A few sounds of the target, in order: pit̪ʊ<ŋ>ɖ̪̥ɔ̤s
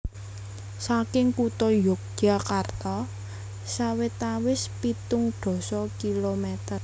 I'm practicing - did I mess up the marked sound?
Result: no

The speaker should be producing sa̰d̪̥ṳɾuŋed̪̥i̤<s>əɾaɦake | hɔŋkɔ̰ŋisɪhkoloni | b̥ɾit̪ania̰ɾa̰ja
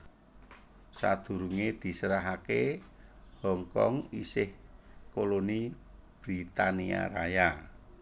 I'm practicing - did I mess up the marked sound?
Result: no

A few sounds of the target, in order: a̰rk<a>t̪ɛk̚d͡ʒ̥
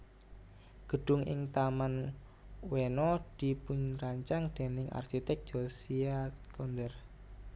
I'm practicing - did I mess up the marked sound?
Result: yes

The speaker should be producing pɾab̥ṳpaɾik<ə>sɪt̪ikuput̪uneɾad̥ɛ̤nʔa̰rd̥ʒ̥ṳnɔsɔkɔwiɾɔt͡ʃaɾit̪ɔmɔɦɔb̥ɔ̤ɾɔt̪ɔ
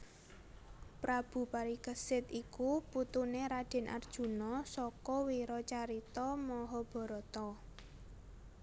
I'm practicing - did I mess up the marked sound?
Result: no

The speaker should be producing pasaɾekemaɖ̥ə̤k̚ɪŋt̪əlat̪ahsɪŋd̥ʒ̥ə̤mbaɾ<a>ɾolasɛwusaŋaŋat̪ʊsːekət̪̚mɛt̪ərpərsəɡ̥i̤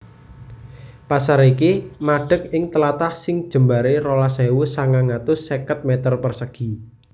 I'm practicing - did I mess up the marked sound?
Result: yes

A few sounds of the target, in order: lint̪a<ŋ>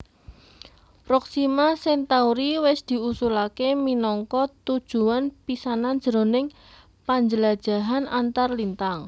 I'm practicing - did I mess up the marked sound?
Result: no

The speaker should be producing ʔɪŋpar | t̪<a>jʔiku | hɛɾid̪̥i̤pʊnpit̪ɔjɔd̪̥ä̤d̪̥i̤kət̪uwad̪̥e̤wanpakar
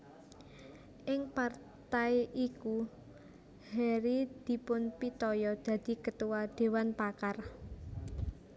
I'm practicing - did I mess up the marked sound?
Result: no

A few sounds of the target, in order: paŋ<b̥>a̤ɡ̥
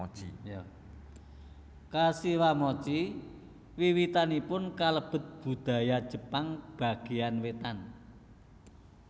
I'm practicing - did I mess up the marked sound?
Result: no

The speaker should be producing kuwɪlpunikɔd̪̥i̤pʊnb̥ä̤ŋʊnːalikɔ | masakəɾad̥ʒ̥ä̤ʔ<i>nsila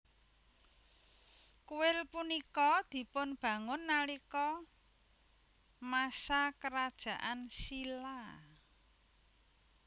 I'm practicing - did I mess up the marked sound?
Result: yes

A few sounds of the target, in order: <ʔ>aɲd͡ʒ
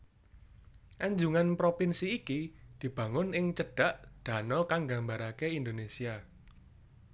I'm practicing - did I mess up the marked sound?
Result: no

